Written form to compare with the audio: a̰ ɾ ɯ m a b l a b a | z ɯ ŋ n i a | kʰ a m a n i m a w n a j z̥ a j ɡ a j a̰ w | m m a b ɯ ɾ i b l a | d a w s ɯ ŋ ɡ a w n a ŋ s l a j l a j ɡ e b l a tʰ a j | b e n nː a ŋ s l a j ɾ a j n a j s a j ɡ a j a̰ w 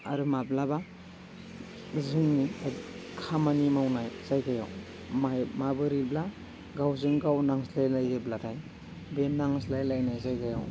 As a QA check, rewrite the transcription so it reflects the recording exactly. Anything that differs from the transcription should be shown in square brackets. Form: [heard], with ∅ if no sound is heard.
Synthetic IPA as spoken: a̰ ɾ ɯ m a b l a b a | z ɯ ŋ n i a | kʰ a m a n i m a w n a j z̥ a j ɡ a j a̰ w | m m a b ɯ ɾ i b l a | [ɡ] a w [z] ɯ ŋ ɡ a w n a ŋ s l a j l a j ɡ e b l a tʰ a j | b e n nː a ŋ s l a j [l] a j n a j [z] a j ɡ a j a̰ w